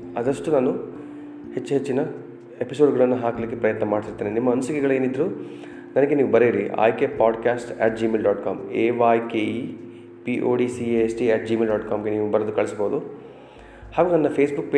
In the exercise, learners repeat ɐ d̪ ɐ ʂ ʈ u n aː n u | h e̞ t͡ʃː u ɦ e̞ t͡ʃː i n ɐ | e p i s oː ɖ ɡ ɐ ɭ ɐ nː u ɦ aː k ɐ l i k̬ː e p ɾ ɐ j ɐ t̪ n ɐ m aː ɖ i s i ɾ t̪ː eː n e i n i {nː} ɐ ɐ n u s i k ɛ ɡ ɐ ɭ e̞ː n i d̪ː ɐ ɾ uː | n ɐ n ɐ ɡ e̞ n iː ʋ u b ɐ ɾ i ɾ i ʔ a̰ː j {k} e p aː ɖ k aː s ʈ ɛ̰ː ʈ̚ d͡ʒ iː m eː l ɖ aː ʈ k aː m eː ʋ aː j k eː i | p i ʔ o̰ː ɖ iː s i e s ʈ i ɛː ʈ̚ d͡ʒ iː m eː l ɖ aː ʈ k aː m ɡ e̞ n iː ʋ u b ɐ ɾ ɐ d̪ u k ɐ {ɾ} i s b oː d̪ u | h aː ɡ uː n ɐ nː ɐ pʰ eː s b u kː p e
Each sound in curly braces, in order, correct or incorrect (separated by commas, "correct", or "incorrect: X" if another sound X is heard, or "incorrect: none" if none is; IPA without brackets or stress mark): incorrect: mː, correct, incorrect: ɭ